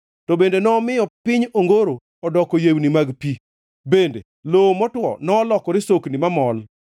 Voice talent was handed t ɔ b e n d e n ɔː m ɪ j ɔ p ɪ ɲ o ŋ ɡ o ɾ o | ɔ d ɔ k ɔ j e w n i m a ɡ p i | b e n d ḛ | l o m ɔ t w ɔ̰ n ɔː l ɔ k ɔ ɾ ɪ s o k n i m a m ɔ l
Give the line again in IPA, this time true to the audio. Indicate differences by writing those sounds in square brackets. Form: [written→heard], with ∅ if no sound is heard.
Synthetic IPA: t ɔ b e n d e n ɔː m ɪ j ɔ p ɪ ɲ o ŋ ɡ o ɾ o | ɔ d ɔ k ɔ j e w n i m a ɡ p i | b e n d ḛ | l o m ɔ t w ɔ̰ n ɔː l ɔ k ɔ ɾ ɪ s o k n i m a m ɔ l